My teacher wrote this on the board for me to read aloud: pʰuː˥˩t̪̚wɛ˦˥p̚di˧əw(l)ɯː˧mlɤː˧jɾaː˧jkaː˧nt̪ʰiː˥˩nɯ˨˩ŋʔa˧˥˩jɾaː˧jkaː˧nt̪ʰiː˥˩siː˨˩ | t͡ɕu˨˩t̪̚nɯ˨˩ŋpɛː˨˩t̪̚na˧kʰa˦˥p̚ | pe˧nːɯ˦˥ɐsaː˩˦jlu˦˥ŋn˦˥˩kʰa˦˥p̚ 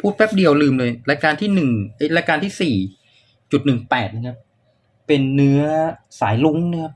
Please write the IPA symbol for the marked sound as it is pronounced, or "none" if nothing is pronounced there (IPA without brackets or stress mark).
l